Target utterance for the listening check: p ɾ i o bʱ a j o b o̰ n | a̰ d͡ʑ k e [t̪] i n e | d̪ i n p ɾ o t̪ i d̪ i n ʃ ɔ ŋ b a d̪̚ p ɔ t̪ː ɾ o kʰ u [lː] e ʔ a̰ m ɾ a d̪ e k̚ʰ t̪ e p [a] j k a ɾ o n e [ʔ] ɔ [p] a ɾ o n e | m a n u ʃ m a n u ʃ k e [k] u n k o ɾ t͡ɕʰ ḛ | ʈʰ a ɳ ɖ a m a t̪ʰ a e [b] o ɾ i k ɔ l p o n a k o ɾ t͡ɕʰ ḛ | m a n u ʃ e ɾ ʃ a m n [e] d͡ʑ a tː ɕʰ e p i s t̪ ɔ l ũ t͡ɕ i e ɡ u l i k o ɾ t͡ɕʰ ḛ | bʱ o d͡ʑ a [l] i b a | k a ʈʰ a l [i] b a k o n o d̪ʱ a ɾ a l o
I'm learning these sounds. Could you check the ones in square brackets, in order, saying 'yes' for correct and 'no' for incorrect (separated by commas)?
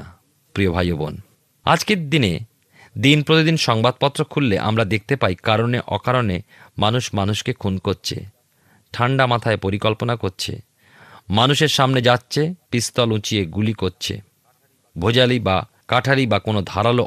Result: no, yes, yes, yes, no, no, no, yes, yes, yes